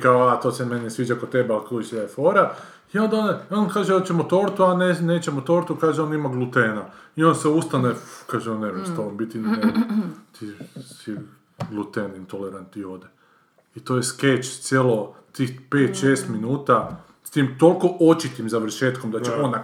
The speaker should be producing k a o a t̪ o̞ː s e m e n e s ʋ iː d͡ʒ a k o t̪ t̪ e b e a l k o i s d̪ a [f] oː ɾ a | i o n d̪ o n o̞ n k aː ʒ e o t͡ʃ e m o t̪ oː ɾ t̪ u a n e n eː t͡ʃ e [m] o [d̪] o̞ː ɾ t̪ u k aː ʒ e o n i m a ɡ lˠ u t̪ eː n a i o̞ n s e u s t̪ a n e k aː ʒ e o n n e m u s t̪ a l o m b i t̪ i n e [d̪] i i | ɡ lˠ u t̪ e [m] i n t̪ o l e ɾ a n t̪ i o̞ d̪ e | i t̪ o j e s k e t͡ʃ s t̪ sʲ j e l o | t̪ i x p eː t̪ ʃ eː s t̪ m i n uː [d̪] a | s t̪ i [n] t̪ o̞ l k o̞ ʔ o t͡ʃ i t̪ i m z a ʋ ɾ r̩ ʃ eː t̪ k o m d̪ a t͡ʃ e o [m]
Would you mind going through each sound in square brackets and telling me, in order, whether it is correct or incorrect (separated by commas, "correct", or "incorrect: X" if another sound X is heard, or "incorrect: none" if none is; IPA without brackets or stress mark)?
correct, correct, incorrect: t̪, incorrect: t̪, incorrect: n, incorrect: t̪, incorrect: m, incorrect: n